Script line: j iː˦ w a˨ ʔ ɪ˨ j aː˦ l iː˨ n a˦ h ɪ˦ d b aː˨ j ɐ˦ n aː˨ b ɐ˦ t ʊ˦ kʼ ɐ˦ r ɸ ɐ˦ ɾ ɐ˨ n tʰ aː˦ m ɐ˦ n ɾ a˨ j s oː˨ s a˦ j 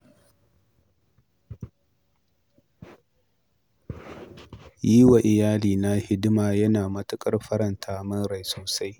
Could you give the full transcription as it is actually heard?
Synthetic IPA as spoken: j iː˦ w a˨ ʔ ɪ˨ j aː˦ l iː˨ n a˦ h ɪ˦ d m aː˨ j ɐ˦ n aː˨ m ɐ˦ t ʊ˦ kʼ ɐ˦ r ɸ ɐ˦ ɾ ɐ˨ n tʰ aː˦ m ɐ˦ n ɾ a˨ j s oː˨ s a˦ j

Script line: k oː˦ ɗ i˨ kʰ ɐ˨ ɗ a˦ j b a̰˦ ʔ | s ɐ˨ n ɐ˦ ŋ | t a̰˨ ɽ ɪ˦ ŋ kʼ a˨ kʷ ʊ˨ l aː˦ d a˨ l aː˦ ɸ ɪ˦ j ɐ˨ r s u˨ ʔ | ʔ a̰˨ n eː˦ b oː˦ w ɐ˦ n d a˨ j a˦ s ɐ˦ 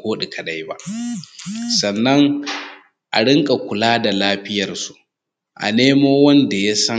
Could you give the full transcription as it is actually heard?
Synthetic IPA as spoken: k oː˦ ɗ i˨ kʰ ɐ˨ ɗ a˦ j b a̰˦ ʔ | s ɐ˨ nː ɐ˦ ŋ | ʔ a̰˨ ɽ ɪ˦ ŋ kʼ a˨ kʷ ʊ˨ l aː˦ d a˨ l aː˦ ɸ ɪ˦ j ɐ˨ r s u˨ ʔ | ʔ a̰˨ n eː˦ m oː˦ w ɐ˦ n d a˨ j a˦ s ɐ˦

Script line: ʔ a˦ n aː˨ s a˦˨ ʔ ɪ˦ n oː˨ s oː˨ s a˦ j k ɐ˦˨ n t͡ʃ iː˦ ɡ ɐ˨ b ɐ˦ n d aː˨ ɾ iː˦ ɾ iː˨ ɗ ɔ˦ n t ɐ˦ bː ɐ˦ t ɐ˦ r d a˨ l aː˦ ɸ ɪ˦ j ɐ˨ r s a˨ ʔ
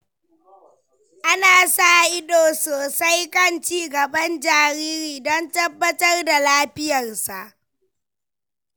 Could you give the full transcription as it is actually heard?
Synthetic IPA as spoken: ʔ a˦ n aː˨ s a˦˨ ʔ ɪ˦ d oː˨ s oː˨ s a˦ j k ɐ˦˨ n t͡ʃ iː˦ ɡ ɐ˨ b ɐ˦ n d͡ʒ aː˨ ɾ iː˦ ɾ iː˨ d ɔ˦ n t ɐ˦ bː ɐ˦ t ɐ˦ r d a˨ l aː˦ ɸ ɪ˦ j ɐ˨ r s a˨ ʔ

